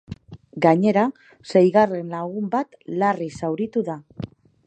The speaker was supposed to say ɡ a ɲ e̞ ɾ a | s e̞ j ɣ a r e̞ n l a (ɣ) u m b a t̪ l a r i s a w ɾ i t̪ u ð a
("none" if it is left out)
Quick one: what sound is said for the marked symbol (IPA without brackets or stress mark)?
ɣ